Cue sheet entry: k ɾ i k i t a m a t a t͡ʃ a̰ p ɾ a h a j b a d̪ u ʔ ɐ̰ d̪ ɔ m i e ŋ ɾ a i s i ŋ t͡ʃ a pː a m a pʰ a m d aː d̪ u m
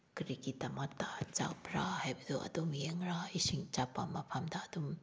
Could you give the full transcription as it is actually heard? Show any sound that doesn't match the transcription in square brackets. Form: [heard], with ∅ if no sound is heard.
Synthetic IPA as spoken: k ɾ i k i t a m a t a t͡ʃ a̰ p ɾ a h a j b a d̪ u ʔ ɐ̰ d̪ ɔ m [j] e ŋ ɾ a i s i ŋ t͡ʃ a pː a m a pʰ a m d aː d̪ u m